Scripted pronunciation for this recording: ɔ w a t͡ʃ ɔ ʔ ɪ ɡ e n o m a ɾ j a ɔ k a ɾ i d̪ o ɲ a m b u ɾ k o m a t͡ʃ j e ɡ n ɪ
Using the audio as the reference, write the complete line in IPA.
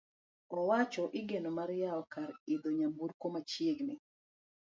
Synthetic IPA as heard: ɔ w a t͡ʃ ɔ ʔ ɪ ɡ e n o m a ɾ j a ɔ k a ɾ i d̪ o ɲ a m b u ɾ k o m a t͡ʃ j e ɡ n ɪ